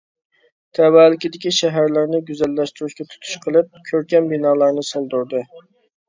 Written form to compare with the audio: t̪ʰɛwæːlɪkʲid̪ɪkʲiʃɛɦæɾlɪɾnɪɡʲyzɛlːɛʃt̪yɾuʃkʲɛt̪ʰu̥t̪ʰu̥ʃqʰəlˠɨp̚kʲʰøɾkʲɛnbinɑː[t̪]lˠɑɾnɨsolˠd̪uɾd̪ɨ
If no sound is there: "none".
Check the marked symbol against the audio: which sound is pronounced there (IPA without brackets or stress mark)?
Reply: none